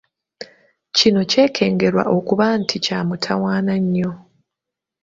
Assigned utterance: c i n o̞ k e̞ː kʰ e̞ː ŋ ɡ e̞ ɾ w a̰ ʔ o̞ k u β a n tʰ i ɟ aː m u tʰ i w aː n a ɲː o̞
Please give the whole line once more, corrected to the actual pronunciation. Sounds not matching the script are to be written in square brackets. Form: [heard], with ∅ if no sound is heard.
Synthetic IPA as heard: c i n o̞ [c] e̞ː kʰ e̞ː ŋ ɡ e̞ ɾ w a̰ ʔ o̞ k u β a n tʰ i [c] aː m u tʰ [a] w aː n a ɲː o̞